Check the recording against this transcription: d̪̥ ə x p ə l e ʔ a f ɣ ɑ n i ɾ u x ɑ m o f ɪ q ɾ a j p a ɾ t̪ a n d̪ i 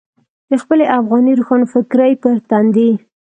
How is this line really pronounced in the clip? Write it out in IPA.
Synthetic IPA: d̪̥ ə x p ə l e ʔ a f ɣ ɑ n i ɾ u x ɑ n o f ɪ k ɾ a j p ə ɾ t̪ a n d̪ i